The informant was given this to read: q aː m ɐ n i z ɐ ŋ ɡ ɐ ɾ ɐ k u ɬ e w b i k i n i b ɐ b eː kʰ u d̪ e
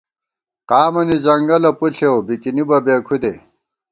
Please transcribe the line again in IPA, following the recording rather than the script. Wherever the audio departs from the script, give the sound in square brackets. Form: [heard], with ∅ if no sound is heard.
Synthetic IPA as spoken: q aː m ɐ n i z ɐ ŋ ɡ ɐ [l] ɐ [p] u ɬ e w b i k i n i b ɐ b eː kʰ u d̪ e